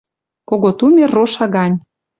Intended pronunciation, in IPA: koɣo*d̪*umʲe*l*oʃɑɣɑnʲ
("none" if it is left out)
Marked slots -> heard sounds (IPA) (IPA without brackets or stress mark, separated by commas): t̪, r